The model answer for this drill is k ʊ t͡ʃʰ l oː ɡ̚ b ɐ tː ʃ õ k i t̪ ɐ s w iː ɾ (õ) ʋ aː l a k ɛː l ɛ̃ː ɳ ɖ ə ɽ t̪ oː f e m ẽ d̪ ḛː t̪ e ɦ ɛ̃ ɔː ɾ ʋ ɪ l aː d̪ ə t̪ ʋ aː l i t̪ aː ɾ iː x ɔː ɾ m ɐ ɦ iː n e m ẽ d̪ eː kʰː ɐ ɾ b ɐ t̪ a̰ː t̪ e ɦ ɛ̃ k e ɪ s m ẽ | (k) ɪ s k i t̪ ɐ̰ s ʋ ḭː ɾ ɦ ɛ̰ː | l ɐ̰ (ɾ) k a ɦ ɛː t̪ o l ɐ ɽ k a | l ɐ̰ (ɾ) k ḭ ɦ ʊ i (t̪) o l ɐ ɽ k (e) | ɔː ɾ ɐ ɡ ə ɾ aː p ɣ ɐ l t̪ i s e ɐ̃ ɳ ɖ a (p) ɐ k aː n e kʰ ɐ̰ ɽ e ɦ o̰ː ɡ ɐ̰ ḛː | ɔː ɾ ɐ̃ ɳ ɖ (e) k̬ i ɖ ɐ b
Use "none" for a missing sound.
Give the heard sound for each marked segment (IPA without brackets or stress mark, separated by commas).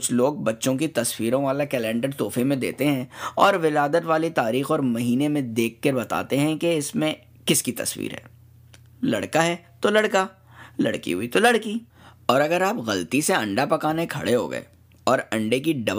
õ, k, ɽ, ɽ, t̪, i, p, e